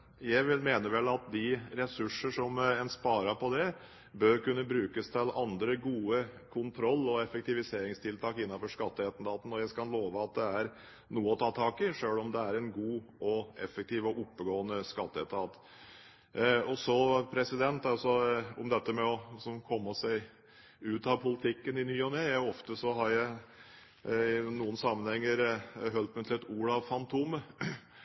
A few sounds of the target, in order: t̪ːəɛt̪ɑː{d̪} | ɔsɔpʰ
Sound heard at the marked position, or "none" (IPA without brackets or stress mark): t̪